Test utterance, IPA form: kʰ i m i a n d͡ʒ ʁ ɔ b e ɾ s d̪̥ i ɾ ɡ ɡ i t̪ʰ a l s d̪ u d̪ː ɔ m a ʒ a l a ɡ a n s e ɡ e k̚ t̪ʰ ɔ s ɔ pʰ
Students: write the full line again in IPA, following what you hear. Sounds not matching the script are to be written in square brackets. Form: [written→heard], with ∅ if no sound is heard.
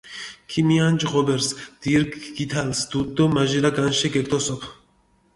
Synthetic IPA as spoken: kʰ i m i a n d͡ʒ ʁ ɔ b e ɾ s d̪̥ i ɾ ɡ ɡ i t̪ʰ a l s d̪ u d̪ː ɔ m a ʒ [a→i] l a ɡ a n [s→ʃ] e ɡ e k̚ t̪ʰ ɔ s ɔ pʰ